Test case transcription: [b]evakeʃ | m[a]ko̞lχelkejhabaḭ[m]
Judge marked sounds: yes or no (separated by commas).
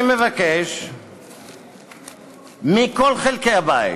no, no, no